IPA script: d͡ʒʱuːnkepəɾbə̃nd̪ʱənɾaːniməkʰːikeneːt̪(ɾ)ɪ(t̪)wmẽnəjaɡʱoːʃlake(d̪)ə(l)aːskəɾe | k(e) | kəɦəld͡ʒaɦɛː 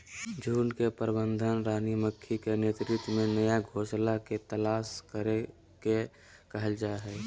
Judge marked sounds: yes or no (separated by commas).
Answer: yes, yes, no, yes, yes